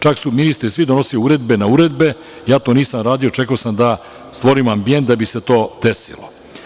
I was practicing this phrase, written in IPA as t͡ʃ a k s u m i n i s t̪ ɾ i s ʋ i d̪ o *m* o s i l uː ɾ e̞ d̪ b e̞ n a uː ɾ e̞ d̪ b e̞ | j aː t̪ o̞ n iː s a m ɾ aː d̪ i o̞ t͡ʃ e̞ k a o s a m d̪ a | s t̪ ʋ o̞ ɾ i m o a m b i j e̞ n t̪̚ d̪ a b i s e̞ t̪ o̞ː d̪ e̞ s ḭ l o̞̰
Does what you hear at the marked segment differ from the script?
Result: yes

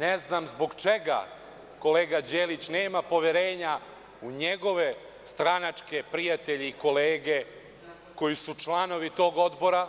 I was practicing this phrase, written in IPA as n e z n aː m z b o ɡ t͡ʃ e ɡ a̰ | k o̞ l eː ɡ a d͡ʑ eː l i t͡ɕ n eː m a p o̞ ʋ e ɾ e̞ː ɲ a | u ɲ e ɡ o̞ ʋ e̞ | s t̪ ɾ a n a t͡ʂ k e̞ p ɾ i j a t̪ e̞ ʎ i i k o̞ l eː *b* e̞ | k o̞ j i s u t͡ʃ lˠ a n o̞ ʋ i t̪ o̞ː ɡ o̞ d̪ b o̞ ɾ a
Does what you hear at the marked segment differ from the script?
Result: yes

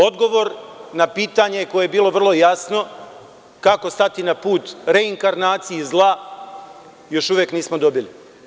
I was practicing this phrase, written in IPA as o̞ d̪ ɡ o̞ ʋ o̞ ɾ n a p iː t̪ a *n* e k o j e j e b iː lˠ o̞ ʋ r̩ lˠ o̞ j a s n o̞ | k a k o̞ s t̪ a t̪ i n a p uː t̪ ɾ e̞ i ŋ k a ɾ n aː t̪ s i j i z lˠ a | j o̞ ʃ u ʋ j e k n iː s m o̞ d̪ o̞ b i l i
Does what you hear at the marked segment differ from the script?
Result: yes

